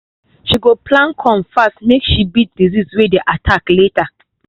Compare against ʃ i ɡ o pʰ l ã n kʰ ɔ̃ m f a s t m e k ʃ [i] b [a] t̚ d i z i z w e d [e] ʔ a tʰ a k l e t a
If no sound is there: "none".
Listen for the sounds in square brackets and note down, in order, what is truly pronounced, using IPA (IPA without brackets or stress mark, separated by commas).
i, i, e